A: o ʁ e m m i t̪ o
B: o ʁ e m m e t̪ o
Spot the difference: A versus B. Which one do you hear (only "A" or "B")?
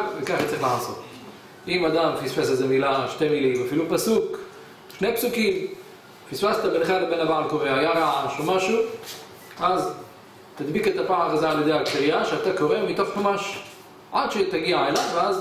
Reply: A